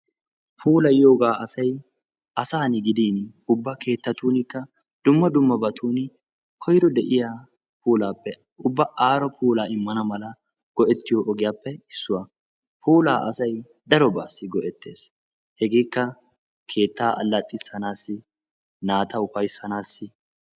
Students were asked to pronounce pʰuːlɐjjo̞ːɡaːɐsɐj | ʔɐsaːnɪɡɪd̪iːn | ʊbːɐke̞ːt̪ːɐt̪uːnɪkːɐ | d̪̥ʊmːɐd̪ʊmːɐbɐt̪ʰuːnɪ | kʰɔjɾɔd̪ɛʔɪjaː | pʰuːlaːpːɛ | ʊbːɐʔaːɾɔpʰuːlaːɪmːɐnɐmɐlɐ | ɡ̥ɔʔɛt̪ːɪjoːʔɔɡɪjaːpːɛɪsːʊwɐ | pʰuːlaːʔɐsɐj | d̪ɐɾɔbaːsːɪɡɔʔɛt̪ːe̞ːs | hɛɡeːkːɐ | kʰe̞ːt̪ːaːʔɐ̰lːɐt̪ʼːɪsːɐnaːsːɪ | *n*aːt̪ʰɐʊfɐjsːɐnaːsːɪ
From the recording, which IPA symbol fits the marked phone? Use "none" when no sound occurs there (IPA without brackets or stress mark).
n